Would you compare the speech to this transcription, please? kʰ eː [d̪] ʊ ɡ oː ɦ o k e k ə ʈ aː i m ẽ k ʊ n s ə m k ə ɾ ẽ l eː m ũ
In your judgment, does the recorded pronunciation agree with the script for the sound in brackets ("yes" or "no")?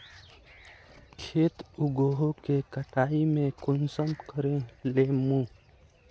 no